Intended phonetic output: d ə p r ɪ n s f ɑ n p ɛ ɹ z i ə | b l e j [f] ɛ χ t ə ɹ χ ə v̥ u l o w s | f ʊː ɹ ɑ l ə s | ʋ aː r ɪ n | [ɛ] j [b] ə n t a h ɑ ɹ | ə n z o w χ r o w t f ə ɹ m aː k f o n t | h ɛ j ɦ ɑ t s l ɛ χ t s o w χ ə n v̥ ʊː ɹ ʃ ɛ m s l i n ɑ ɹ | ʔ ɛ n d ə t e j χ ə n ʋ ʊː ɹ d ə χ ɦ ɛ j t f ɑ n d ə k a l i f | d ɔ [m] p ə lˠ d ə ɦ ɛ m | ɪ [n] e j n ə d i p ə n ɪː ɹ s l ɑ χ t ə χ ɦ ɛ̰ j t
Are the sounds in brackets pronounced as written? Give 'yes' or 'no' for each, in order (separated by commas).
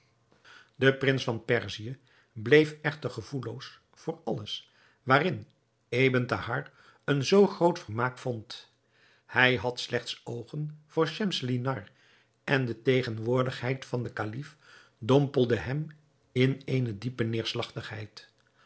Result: yes, no, yes, yes, yes